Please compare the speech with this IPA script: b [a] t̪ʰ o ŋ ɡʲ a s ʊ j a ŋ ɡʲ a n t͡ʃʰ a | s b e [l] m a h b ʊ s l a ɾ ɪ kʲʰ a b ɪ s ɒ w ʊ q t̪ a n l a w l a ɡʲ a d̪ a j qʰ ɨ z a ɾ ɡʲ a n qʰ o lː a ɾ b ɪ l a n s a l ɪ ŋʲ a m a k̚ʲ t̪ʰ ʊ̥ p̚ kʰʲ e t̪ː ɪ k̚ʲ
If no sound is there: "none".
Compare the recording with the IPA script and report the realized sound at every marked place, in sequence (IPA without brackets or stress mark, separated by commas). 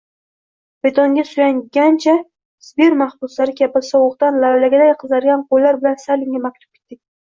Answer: e, ɾ